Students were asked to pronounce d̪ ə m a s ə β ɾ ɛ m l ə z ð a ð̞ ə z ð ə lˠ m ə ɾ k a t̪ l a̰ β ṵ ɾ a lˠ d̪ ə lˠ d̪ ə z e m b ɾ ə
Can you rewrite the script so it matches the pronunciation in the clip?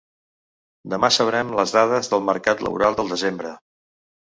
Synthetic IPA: d̪ ə m a s ə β ɾ ɛ m l ə z ð a ð̞ ə z ð ə lˠ m ə ɾ k a t̪ l ə̰ β ṵ ɾ a lˠ d̪ ə lˠ d̪ ə z e m b ɾ ə